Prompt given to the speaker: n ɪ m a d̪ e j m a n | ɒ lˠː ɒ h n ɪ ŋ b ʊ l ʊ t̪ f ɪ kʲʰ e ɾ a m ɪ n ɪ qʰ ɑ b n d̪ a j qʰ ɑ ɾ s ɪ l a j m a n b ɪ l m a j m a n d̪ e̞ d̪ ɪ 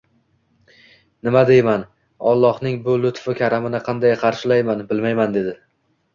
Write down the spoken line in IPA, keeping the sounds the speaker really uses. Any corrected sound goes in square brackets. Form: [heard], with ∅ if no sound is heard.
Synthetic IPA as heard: n ɪ m a d̪ e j m a n | ɒ lˠː ɒ h n ɪ ŋ b ʊ l ʊ t̪ f ɪ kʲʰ [a] ɾ a m ɪ n ɪ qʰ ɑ [∅] n d̪ a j qʰ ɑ ɾ [ʃ] ɪ l a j m a n b ɪ l m a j m a n d̪ e̞ d̪ ɪ